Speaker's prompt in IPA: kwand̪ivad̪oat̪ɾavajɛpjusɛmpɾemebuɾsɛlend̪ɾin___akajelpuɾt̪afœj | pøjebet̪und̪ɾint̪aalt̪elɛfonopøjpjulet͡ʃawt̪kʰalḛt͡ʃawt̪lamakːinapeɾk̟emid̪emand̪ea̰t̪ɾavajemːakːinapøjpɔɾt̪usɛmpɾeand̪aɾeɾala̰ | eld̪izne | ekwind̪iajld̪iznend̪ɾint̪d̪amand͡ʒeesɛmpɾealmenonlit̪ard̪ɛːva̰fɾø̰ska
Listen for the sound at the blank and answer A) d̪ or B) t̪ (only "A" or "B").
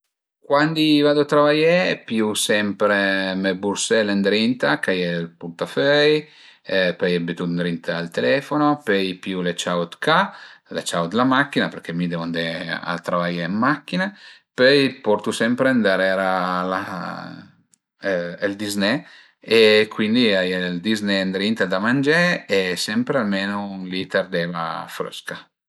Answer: B